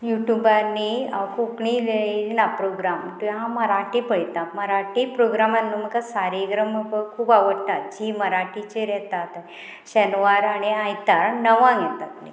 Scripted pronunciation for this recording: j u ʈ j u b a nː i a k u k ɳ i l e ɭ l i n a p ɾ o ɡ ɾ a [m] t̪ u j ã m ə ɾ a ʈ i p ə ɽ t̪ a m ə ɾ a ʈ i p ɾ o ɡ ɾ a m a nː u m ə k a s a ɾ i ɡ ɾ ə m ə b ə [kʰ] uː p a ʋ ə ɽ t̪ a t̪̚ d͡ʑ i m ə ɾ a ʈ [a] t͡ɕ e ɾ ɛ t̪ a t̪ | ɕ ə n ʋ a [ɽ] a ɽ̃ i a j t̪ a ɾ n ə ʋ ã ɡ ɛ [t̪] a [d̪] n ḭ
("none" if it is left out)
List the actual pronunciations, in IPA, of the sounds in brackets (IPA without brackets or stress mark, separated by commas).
m, kʰ, i, ɾ, t̪, t̪